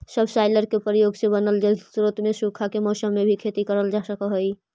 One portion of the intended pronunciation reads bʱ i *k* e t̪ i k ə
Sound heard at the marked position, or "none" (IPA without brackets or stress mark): kʰ